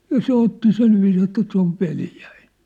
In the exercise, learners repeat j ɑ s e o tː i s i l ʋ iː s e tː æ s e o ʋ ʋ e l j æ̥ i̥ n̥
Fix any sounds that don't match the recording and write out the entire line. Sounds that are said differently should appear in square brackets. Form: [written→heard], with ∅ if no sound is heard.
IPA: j ɑ s e o tː i s i l ʋ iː s e tː æ s e o ʋ ʋ e l j æ̥ i̥ n̥